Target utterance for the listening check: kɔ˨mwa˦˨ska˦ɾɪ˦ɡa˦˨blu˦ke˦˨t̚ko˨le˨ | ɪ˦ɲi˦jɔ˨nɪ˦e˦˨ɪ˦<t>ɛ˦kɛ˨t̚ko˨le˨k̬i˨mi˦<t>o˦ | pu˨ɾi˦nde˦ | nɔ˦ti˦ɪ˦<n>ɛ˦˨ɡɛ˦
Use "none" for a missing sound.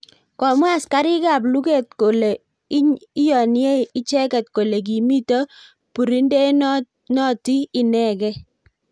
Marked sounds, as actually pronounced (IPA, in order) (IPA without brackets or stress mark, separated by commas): t͡ʃ, t, n